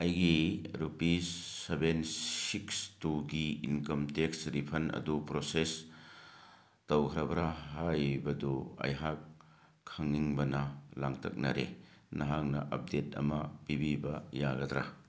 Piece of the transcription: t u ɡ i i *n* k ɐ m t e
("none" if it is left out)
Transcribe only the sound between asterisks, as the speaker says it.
n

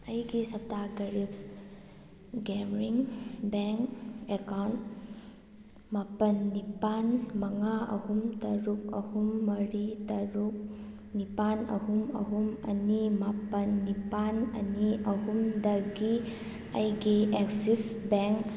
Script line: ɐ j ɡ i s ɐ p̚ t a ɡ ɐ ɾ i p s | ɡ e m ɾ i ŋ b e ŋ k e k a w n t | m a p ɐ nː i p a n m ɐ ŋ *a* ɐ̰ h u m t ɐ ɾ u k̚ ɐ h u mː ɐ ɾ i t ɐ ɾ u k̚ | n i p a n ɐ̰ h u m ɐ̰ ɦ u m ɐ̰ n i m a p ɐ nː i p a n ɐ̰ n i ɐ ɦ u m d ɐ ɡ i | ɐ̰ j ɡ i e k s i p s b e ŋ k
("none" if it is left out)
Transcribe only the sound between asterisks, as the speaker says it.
a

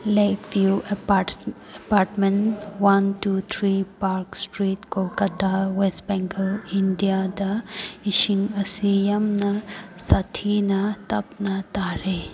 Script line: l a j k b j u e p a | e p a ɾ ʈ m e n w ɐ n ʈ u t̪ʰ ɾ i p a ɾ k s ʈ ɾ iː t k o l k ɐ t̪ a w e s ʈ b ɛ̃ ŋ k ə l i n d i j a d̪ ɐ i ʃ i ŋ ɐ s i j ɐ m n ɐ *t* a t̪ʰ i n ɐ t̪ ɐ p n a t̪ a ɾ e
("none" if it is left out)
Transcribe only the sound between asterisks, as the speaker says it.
s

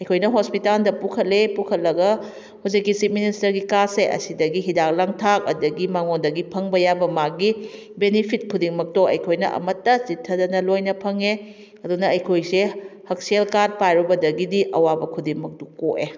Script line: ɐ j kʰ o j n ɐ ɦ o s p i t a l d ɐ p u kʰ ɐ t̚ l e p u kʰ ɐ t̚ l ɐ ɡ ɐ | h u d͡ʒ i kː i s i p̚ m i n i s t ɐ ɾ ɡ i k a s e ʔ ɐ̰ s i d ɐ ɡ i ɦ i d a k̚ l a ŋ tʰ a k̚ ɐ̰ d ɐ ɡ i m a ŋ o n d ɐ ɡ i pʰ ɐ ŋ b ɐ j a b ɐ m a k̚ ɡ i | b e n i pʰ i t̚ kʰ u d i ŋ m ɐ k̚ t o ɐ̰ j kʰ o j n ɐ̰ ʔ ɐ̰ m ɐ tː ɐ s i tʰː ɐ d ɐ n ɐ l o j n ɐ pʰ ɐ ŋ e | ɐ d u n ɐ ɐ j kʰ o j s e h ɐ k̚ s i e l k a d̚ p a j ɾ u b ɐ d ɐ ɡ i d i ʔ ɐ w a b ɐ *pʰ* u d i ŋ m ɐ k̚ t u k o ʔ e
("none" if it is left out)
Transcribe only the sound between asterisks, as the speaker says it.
kʰ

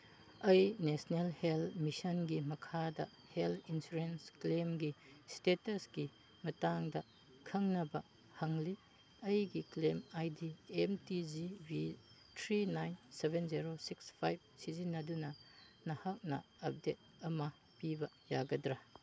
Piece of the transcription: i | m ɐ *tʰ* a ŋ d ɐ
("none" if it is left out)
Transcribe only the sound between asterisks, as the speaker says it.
t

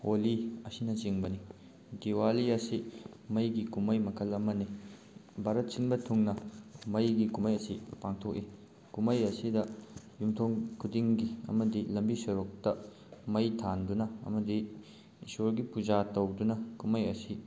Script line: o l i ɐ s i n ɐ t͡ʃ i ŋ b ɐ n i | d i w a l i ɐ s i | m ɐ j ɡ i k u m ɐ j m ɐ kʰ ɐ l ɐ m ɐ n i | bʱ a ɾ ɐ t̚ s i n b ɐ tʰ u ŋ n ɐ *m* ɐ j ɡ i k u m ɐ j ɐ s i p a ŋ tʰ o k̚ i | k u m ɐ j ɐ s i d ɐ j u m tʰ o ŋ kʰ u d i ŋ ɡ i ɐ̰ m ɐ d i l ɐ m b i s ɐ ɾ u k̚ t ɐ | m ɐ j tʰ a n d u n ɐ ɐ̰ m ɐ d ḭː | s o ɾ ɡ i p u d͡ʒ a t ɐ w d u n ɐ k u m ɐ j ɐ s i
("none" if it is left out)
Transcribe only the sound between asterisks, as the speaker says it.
m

